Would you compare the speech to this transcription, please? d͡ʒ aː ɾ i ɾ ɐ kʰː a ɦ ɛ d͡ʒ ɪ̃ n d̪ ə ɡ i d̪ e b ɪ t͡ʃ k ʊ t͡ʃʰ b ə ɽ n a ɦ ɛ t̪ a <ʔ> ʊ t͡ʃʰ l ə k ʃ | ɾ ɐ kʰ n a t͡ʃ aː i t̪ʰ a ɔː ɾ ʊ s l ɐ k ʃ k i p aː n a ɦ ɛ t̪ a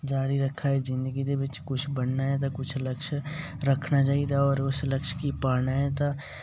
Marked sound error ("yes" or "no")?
yes